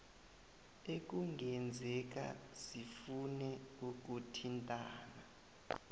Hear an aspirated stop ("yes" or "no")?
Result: yes